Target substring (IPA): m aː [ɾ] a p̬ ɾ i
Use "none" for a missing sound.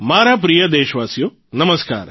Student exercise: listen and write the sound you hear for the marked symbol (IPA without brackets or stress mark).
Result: ɾ